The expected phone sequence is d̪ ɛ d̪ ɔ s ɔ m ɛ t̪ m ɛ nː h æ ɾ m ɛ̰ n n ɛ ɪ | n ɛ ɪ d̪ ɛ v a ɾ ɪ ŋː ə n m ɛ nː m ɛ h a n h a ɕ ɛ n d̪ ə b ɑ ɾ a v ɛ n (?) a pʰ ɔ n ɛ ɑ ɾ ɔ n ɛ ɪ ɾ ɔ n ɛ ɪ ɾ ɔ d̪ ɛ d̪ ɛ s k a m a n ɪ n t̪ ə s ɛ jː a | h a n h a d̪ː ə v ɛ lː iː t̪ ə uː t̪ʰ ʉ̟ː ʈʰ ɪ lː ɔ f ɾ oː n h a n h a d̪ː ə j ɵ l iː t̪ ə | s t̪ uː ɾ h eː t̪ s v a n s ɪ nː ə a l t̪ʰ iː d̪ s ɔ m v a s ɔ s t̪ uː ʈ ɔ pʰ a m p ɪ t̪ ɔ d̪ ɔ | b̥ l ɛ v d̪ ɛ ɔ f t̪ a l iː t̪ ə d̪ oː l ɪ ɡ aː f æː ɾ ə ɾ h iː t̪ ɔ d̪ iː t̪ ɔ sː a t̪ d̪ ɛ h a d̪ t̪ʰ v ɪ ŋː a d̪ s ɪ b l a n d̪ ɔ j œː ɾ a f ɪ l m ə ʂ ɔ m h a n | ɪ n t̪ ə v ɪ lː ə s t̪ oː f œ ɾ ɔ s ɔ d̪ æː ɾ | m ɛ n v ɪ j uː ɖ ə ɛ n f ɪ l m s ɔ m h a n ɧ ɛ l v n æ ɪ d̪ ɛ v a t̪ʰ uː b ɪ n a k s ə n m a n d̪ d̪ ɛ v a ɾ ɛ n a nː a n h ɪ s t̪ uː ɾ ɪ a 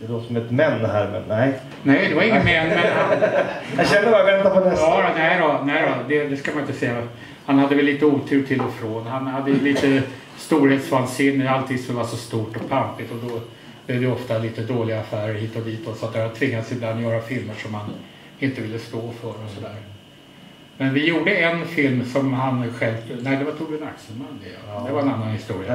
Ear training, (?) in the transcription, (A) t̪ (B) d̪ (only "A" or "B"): A